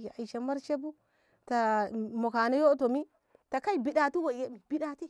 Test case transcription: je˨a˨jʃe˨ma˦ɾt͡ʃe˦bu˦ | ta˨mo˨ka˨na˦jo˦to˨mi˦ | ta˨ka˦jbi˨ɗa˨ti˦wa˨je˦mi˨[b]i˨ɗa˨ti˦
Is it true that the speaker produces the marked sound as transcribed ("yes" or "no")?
yes